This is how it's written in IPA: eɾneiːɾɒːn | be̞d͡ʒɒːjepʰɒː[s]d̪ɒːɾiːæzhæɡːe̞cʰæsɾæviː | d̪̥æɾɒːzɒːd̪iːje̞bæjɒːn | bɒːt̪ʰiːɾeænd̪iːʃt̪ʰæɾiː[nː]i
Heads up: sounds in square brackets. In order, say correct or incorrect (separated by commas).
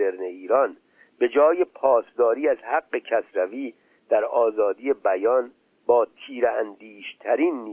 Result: correct, correct